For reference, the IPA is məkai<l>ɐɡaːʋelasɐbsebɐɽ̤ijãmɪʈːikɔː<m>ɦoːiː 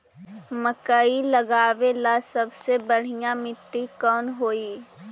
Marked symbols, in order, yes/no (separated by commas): yes, no